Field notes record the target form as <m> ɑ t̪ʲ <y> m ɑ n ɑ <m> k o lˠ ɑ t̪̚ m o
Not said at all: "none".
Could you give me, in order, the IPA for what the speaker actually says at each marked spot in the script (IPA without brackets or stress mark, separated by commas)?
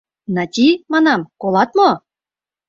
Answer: n, i, m